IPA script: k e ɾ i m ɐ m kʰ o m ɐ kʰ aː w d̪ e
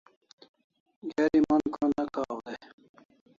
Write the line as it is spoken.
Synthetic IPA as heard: ɡ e ɾ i m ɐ n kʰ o n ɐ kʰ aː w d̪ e

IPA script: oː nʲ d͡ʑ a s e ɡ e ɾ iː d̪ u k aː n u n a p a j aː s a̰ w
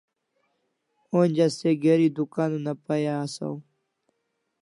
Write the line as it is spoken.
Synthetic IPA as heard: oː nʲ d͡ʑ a s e ɡ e ɾ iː d̪ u k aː n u n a p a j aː s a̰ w

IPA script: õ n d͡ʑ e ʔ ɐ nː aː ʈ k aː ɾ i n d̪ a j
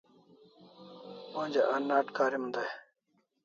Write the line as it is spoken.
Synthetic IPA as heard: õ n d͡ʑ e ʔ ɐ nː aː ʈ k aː ɾ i m d̪ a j

